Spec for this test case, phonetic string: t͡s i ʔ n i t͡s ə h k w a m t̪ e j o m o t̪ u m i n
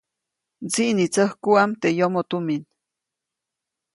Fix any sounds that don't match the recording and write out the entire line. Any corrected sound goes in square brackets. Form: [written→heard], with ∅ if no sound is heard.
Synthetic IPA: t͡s i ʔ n i t͡s ə h k [w→u] a m t̪ e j o m o t̪ u m i n